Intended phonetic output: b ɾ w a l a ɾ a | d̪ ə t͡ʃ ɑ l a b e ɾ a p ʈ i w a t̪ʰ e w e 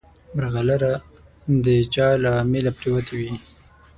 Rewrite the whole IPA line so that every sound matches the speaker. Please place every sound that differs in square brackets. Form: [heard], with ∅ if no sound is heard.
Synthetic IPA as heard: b ɾ [ɣ] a l a ɾ a | d̪ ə t͡ʃ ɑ l a [m] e [l] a p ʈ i w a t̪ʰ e w [i]